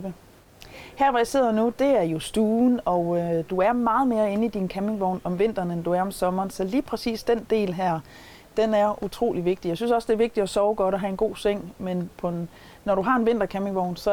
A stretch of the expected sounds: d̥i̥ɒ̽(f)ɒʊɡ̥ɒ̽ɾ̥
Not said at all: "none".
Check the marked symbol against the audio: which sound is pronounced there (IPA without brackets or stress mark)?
s